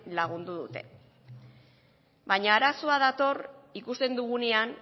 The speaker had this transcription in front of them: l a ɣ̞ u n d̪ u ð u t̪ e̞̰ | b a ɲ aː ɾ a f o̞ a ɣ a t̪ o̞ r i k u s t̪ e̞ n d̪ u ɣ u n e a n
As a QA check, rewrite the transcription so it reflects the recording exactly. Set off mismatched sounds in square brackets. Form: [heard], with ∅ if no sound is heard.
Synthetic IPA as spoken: l a ɣ̞ u n d̪ u ð u t̪ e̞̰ | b a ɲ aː ɾ a [s] o̞ a [ð] a t̪ o̞ r i k u s t̪ e̞ n d̪ u ɣ u n e a n